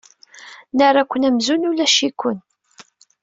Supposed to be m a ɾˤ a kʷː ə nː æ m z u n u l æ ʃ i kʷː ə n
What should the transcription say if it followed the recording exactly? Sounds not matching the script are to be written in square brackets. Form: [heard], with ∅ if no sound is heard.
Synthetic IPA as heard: [n] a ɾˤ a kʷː ə [n] æ m z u n u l æ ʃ i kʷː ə n